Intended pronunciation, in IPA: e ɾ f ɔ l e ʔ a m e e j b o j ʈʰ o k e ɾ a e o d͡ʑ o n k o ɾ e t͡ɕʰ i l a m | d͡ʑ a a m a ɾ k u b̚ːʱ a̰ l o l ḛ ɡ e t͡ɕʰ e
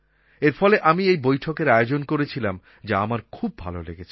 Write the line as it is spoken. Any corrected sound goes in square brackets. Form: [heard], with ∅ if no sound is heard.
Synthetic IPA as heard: e ɾ f ɔ l e ʔ a m [i] e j b o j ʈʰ o k e ɾ a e o d͡ʑ o n k o ɾ e t͡ɕʰ i l a m | d͡ʑ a a m a ɾ [kʰ] u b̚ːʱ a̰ l o l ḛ ɡ e t͡ɕʰ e